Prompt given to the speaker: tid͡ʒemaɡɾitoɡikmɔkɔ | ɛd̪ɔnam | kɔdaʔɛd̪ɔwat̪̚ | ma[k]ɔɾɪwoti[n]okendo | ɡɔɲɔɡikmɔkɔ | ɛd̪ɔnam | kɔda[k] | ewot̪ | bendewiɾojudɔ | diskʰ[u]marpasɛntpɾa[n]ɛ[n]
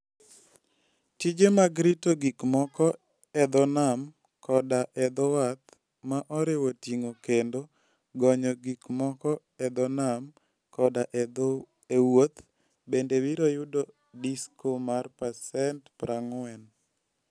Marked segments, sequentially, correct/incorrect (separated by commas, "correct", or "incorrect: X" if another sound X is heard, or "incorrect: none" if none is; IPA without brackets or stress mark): incorrect: ʔ, incorrect: ŋ, incorrect: ʔ, incorrect: o, incorrect: ŋ, correct